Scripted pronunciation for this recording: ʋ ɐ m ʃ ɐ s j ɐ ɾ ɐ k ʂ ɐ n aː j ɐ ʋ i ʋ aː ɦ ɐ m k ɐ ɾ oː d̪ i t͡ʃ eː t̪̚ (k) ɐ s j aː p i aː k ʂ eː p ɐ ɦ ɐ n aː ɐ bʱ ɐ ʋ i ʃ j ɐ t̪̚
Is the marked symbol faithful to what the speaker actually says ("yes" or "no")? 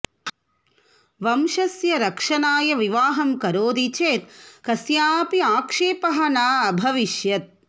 yes